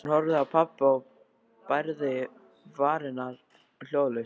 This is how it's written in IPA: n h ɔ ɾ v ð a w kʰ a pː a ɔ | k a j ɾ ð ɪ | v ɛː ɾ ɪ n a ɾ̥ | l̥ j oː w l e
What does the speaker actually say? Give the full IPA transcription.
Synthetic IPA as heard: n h ɔ ɾ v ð a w pʰ a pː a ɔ | p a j ɾ ð ɪ | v aː ɾ ɪ n a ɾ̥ | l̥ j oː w l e